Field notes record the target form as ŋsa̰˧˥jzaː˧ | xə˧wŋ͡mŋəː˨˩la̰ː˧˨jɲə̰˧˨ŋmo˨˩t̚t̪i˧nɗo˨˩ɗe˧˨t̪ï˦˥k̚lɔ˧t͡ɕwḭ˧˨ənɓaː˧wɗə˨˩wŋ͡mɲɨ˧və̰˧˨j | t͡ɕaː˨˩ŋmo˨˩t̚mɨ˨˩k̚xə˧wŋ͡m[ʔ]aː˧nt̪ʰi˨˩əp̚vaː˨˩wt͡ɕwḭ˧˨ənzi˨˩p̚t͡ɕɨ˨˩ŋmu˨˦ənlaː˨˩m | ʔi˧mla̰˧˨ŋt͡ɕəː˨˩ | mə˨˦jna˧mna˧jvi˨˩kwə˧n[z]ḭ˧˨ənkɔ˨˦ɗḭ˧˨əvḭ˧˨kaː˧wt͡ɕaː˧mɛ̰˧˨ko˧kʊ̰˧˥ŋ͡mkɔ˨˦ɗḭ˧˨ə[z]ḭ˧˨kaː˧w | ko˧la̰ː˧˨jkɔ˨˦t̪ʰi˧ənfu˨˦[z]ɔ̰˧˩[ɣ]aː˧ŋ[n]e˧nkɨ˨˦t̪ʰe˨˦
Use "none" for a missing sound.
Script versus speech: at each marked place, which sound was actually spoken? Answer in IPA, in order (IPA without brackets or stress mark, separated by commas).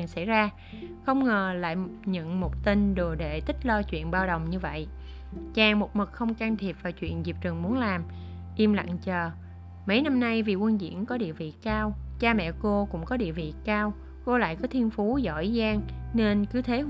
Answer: k, z, v, z, z, n